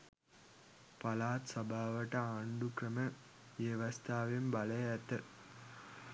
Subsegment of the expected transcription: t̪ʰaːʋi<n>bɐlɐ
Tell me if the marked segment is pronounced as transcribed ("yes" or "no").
no